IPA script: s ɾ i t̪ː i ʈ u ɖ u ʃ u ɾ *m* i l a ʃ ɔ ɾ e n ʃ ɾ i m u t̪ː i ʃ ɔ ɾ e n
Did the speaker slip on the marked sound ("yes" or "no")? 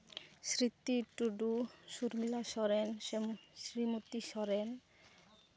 no